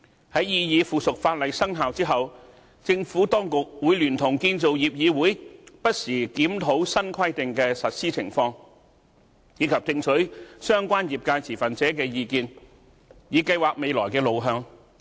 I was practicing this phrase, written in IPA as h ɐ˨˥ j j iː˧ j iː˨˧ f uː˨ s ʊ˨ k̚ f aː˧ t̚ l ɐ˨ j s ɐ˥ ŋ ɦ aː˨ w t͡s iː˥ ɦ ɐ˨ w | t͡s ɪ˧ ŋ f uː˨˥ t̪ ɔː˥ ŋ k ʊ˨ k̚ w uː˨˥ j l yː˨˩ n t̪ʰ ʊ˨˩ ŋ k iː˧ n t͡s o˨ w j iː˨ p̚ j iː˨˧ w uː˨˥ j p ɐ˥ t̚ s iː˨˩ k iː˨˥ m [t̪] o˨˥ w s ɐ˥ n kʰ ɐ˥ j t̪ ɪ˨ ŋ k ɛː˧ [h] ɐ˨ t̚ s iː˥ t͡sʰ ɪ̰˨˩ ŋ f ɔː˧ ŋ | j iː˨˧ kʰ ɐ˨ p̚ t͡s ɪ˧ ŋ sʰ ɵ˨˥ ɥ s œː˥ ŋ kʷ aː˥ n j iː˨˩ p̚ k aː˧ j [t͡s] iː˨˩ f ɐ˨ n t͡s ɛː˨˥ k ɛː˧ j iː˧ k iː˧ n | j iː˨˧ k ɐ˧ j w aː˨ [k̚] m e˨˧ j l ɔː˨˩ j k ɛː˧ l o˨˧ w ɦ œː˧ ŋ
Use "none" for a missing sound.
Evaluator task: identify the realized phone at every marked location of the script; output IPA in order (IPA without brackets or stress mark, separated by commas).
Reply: t̪ʰ, s, t͡sʰ, k̚